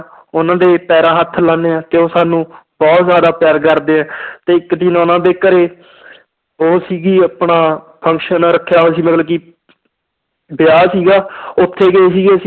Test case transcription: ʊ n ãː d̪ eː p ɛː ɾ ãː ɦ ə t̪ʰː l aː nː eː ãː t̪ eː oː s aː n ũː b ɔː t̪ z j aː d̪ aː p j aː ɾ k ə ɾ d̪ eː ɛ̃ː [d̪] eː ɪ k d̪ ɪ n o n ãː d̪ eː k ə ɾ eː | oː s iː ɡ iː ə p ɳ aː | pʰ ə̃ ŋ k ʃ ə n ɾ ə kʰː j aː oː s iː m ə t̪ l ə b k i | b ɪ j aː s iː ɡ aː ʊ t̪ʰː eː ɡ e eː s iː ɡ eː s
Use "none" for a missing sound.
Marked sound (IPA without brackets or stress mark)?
t̪